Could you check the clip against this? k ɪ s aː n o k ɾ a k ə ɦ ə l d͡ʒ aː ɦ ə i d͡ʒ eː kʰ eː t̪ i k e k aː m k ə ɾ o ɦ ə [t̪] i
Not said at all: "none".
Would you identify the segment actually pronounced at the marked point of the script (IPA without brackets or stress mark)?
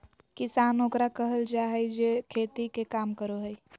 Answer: none